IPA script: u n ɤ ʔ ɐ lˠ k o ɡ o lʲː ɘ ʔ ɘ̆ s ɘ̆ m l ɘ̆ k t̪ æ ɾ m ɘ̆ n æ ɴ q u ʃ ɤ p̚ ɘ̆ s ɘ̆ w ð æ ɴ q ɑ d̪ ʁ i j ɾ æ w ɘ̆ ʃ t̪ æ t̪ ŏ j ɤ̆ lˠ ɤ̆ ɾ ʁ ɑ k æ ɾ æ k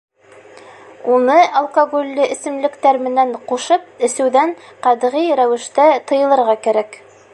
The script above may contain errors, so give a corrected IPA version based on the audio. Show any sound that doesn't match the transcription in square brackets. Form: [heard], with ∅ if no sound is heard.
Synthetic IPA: u n ɤ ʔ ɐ lˠ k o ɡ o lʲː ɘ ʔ ɘ̆ s ɘ̆ m l ɘ̆ k t̪ æ ɾ m ɘ̆ n æ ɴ q u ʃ ɤ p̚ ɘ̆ s ɘ̆ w ð æ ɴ q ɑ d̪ ʁ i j ɾ æ w ɘ̆ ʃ t̪ æ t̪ [ɤ̆] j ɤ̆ lˠ ɤ̆ ɾ ʁ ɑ k æ ɾ æ k